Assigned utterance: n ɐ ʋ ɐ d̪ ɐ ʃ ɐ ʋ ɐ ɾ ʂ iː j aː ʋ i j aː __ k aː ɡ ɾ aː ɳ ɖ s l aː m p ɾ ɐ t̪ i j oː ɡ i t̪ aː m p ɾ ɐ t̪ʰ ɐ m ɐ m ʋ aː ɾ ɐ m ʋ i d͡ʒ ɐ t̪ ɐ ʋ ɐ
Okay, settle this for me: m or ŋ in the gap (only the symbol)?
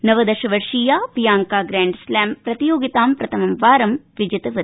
ŋ